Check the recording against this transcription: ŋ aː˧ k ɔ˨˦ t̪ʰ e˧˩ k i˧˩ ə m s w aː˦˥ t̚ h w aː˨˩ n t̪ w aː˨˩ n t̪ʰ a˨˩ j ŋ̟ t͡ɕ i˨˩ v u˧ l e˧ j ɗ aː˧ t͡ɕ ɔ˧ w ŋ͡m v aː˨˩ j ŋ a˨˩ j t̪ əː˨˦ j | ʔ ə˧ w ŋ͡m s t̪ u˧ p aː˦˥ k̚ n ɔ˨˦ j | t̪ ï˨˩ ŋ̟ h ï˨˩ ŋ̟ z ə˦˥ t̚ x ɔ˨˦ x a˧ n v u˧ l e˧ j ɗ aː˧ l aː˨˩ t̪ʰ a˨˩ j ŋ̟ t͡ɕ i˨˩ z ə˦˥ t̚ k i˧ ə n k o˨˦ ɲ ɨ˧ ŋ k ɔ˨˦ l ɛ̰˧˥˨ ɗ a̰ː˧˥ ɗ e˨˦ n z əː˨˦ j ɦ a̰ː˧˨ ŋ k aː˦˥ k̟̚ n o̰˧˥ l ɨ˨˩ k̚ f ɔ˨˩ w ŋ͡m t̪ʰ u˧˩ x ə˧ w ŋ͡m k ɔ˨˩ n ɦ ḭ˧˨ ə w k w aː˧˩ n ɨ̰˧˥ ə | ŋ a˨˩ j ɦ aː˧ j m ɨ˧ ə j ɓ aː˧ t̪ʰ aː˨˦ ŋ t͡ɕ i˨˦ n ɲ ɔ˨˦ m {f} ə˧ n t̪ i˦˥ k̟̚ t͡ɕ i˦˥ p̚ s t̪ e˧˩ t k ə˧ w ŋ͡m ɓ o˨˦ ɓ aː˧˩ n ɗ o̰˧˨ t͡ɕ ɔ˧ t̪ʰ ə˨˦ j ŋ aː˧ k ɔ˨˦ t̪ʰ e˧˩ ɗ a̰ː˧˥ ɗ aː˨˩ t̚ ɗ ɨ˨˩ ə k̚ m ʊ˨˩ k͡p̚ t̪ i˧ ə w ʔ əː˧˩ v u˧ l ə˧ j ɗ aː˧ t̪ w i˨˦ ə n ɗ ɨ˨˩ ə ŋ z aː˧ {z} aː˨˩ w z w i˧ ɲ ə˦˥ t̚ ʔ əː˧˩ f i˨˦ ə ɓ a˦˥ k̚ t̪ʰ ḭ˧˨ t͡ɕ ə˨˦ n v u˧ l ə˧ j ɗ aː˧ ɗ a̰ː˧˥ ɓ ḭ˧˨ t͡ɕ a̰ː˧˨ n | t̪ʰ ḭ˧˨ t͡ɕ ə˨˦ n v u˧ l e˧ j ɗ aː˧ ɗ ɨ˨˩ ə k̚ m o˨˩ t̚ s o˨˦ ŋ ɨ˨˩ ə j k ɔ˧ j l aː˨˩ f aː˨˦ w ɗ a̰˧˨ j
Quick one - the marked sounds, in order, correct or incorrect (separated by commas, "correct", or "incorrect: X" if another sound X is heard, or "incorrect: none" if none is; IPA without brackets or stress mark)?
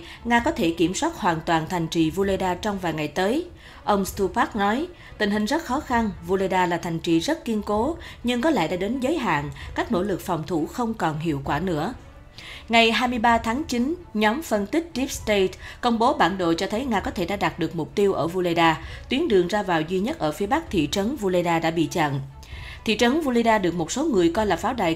correct, incorrect: v